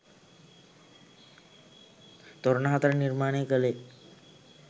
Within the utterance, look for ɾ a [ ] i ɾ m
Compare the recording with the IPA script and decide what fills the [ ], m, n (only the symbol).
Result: n